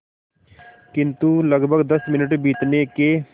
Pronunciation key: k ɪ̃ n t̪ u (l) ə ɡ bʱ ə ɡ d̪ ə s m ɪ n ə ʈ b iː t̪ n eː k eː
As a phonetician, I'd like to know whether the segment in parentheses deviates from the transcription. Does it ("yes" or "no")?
no